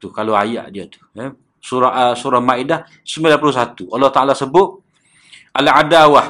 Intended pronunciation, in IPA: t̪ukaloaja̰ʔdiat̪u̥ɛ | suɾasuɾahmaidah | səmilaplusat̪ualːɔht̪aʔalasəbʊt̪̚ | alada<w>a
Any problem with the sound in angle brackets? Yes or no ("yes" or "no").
no